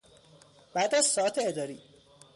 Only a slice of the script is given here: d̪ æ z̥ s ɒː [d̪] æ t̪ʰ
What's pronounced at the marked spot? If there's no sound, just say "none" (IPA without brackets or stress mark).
none